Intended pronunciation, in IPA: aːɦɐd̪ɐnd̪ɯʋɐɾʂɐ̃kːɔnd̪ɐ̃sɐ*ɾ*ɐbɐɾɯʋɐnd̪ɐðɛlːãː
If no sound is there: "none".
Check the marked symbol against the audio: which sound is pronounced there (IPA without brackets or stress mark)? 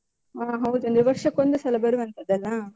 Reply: l